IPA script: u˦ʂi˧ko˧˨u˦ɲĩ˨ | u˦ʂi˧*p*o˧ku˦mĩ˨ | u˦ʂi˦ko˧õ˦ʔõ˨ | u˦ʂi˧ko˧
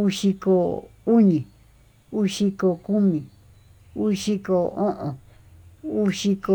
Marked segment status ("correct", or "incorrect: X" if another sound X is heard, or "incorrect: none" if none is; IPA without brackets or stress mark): incorrect: k